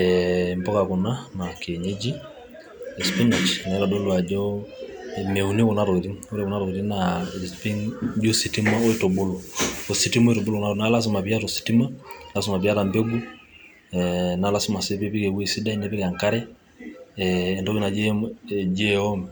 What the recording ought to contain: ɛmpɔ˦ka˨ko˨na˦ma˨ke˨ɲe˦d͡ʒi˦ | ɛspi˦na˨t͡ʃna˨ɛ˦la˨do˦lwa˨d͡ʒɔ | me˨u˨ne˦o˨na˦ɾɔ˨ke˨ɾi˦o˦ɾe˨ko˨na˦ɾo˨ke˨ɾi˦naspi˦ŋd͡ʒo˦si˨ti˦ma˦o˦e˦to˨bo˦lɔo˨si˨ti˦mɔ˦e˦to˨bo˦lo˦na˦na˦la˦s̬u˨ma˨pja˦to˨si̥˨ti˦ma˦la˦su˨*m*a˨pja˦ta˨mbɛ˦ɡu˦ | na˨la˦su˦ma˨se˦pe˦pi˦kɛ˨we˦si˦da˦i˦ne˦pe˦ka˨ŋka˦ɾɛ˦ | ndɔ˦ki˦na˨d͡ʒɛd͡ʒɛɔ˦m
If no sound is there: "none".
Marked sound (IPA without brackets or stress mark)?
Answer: m